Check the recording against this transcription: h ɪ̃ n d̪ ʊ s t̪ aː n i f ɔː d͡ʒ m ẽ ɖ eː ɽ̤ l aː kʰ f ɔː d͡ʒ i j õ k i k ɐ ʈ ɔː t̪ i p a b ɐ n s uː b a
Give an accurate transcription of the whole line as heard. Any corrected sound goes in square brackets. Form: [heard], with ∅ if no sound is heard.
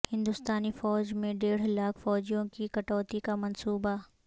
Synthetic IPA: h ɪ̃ n d̪ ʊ s t̪ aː n i f ɔː d͡ʒ m ẽ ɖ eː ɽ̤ l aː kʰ f ɔː d͡ʒ i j õ k i k ɐ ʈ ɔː t̪ i [k] a [m] ɐ n s uː b a